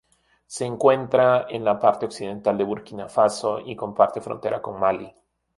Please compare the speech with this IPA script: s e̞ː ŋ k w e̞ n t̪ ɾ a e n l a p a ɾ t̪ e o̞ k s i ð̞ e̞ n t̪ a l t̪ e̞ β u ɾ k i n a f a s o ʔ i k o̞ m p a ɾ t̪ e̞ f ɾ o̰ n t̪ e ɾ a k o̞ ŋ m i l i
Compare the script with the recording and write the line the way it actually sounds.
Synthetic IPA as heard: s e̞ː ŋ k w e̞ n t̪ ɾ a e n l a p a ɾ t̪ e o̞ k s i ð̞ e̞ n t̪ a l d̪ e̞ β u ɾ k i n a f a s o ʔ i k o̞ m p a ɾ t̪ e̞ f ɾ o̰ n t̪ e ɾ a k o̞ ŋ m a l i